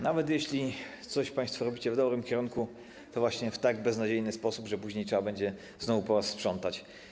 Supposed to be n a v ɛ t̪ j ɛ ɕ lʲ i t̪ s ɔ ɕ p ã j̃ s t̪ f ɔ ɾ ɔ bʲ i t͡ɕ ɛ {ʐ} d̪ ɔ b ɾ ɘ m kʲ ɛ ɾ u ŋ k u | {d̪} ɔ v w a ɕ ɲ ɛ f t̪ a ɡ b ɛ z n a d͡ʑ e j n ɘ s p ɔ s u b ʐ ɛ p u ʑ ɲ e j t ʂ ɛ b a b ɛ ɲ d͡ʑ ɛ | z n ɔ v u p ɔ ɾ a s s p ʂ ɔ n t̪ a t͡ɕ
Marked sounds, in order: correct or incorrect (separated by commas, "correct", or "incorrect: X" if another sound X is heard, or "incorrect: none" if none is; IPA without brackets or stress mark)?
incorrect: v, incorrect: t̪